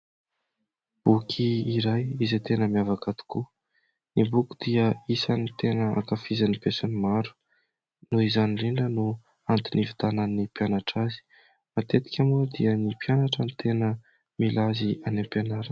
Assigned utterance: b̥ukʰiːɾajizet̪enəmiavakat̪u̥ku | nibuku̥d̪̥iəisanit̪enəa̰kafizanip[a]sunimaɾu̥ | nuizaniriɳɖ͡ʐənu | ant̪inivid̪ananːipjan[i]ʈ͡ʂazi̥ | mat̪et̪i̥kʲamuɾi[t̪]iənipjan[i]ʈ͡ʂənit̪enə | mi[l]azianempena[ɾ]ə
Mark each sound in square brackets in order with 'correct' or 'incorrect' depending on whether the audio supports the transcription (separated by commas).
incorrect, incorrect, incorrect, incorrect, correct, correct